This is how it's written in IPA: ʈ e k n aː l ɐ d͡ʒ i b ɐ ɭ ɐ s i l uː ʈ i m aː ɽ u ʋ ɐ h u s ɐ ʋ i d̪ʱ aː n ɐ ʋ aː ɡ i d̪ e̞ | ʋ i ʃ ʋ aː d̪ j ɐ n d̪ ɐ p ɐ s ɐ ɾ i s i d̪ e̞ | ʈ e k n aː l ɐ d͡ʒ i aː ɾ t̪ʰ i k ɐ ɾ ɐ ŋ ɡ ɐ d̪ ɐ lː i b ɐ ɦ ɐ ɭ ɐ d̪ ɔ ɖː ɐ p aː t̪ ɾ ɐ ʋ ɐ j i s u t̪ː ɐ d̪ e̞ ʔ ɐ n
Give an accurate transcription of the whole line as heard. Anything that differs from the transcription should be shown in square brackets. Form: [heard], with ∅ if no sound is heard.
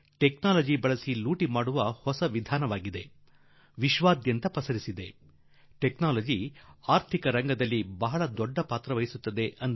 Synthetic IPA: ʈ e k n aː l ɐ d͡ʒ i b ɐ ɭ ɐ s i l uː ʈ i m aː ɽ u ʋ ɐ h [ɔ] s ɐ ʋ i d̪ʱ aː n ɐ ʋ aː ɡ i d̪ e̞ | ʋ i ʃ ʋ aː d̪ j ɐ n [t̪] ɐ p ɐ s ɐ ɾ i s i d̪ e̞ | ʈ e k n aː l ɐ d͡ʒ i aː ɾ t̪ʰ i k ɐ ɾ ɐ ŋ ɡ ɐ d̪ ɐ lː i b ɐ ɦ ɐ ɭ ɐ d̪ ɔ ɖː ɐ p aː t̪ ɾ ɐ ʋ ɐ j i s u t̪ː ɐ d̪ e̞ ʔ ɐ n